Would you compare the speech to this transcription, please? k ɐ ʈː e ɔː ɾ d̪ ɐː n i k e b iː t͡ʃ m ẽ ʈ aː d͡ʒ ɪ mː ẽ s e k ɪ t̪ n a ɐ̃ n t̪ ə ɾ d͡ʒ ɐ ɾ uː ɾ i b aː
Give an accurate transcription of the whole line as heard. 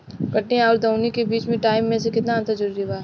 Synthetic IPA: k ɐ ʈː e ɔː ɾ d̪ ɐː n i k e b iː t͡ʃ m ẽ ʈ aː ɪ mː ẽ s e k ɪ t̪ n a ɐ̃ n t̪ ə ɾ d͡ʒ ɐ ɾ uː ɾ i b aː

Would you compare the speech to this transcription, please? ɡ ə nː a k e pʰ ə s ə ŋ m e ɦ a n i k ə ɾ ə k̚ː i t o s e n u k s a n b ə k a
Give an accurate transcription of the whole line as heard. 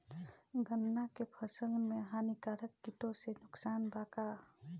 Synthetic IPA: ɡ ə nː a k e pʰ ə s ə ŋ m e ɦ a n i k a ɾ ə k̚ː i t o s e n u k s a n b a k a

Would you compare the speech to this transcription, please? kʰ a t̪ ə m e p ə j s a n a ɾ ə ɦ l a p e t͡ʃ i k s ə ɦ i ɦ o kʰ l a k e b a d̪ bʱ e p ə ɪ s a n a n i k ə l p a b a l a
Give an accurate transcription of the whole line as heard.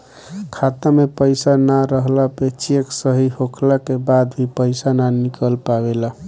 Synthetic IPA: kʰ a t̪ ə m e p ə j s a n a ɾ ə ɦ l a p e t͡ʃ e k s ə ɦ i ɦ o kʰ l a k e b a d̪ bʱ i p ə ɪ s a n a n i k ə l p a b e l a

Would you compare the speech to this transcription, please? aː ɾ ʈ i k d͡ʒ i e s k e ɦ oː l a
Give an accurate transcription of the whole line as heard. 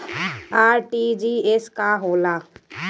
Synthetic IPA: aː ɾ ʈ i d͡ʒ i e s k a ɦ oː l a

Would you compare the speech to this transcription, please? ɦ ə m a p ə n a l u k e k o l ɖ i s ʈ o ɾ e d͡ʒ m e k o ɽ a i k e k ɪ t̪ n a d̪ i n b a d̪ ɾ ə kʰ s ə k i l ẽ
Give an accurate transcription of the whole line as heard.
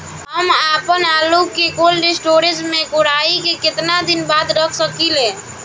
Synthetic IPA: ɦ ə m a p ə n a l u k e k o l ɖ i s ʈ o ɾ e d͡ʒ m e k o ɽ a i k e k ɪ t̪ n a d̪ i n b a d̪ ɾ ə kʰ s ə k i l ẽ

